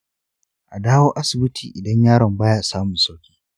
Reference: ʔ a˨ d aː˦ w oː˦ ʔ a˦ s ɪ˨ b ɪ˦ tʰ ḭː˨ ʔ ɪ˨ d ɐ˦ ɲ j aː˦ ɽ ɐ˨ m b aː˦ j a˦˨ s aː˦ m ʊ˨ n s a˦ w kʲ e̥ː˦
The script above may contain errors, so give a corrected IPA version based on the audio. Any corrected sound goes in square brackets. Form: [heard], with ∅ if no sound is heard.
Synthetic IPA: ʔ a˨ d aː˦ w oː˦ ʔ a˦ s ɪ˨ b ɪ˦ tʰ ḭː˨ ʔ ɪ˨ d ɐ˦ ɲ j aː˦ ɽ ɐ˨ m b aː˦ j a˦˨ s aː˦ m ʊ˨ n s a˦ w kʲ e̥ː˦